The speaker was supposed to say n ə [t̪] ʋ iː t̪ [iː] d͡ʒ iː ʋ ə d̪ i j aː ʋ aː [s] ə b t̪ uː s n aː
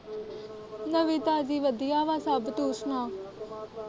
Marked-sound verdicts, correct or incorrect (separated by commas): incorrect, incorrect, correct